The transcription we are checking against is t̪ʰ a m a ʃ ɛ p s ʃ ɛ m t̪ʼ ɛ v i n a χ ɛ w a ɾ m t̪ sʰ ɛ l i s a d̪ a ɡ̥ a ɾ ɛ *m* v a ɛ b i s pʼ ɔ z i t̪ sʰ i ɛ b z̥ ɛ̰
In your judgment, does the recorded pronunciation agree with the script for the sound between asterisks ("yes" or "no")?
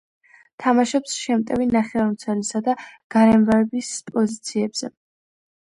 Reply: yes